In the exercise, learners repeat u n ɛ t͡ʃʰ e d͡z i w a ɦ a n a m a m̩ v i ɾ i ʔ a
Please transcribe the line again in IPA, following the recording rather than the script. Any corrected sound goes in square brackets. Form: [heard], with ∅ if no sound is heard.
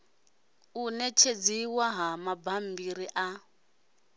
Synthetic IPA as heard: u n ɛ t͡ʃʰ e d͡z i w a ɦ a [m] a [b] a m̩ [b] i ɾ i ʔ a